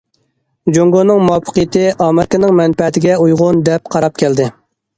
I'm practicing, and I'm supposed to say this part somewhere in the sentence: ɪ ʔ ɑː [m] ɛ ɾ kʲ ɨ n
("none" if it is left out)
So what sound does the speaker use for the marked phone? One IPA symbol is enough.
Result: m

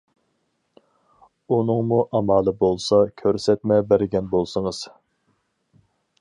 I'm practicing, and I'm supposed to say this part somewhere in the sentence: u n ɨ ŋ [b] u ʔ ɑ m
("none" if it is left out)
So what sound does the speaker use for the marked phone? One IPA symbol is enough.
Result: m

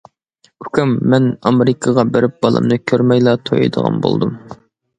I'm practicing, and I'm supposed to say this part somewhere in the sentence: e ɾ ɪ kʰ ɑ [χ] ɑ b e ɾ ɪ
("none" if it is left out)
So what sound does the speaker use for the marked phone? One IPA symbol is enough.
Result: ʁ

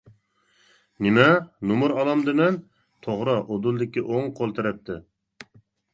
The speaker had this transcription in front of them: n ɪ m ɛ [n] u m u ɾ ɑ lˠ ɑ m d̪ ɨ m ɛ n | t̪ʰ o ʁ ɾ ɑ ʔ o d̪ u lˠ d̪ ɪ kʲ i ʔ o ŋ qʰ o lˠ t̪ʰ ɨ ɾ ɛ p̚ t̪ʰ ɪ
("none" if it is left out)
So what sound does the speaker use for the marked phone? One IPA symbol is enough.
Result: n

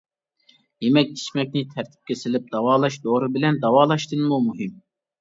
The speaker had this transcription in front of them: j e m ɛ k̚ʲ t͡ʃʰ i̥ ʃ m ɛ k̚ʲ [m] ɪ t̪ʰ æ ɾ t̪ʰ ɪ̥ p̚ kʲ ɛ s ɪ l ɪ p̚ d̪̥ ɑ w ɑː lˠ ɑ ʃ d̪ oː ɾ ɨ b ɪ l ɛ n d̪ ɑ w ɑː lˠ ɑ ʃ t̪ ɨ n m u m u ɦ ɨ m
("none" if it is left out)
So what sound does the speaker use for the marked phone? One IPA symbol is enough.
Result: n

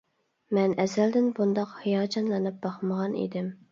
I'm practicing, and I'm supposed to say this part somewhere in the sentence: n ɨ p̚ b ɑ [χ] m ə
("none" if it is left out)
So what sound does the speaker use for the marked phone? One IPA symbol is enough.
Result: χ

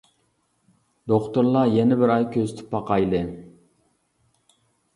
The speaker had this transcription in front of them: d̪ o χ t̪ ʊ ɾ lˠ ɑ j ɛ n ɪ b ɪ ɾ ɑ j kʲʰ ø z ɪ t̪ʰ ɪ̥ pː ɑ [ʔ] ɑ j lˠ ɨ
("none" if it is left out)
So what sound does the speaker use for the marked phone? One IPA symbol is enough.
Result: q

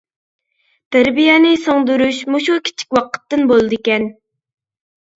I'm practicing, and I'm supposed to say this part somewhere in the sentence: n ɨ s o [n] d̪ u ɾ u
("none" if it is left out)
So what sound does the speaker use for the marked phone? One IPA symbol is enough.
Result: ŋ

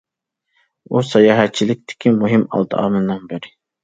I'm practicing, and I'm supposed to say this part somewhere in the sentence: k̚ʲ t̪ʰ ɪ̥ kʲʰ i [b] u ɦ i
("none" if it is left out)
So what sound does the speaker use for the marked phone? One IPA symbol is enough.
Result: m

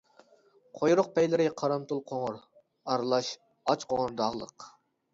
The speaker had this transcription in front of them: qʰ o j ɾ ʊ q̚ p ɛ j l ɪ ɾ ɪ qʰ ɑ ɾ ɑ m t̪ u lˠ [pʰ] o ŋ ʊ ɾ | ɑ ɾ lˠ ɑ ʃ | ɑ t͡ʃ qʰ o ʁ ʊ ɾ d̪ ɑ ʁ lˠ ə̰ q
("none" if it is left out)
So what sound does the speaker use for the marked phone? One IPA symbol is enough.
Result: qʰ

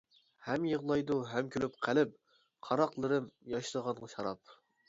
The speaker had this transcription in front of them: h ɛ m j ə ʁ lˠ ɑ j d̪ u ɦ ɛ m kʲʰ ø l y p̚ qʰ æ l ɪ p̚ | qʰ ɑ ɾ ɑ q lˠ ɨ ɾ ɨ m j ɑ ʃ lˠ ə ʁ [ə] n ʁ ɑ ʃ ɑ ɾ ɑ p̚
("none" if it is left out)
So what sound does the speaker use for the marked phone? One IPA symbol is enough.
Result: ɑ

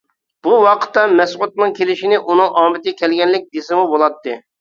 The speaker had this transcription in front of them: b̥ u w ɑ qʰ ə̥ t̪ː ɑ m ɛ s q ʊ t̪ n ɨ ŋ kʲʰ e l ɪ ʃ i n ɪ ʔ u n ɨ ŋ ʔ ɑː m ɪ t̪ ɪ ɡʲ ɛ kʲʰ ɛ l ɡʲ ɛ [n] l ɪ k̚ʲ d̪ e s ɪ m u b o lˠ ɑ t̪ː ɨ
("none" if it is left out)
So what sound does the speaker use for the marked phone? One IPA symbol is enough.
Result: n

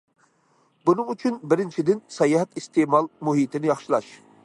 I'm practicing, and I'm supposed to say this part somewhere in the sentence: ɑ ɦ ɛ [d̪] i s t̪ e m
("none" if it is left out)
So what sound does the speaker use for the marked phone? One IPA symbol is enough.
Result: t̪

